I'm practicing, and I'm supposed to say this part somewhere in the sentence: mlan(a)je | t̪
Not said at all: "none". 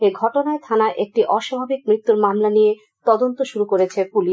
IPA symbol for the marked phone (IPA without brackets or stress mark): i